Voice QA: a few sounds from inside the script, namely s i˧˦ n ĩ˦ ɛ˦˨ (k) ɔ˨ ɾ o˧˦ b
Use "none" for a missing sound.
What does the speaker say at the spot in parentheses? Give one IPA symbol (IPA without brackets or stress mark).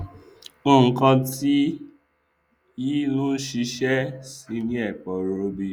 k͡p